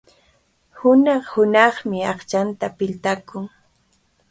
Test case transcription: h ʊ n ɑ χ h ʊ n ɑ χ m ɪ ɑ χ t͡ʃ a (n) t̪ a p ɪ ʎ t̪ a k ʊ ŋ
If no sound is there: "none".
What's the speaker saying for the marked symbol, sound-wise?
n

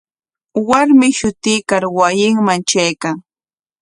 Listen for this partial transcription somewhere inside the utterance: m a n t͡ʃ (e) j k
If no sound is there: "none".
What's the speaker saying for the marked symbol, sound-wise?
a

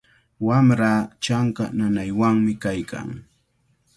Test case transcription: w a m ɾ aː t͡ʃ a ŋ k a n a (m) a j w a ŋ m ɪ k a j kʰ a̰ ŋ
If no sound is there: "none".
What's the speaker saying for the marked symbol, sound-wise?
n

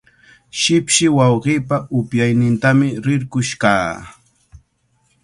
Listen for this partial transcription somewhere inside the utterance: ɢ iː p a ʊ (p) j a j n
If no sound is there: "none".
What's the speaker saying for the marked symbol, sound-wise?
p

